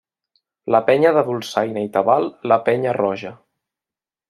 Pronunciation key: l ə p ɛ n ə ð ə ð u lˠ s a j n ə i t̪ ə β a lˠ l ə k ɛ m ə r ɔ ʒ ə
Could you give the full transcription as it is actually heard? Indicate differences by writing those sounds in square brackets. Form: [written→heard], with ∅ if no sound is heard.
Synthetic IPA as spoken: l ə p ɛ [n→ɲ] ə ð ə ð u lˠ s a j n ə i t̪ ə β a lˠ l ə [k→p] ɛ [m→ɲ] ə r ɔ ʒ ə